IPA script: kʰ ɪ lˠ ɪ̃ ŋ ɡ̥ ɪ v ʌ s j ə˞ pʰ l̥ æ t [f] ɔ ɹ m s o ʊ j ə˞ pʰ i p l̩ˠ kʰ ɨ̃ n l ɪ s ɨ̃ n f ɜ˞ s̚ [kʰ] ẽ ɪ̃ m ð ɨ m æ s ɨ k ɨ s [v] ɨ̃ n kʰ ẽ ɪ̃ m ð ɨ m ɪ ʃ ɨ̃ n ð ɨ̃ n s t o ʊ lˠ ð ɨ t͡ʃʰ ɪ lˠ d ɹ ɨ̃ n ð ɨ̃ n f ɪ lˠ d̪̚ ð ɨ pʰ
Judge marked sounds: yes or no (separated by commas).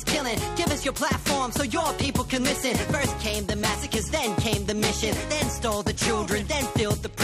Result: yes, yes, no